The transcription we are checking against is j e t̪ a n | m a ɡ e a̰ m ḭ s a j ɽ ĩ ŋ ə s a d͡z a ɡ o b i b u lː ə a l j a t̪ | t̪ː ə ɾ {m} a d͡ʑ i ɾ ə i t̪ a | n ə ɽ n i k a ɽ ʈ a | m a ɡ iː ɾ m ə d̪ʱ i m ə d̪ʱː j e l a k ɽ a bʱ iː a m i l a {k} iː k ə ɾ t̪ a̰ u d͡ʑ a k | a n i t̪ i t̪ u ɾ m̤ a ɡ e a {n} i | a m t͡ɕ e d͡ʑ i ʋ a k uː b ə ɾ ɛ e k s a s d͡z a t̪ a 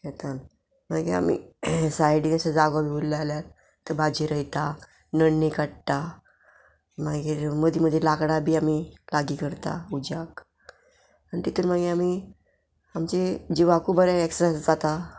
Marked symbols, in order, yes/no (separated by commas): no, no, no